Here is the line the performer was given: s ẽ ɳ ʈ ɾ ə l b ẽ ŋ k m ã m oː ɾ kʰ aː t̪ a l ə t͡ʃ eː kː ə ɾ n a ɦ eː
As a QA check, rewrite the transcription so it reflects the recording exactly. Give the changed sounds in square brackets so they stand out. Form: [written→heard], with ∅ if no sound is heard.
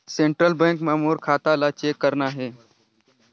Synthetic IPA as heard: s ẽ ɳ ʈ ɾ ə l b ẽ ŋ k m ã m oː ɾ kʰ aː t̪ a l [ə→a] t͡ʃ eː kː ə ɾ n a ɦ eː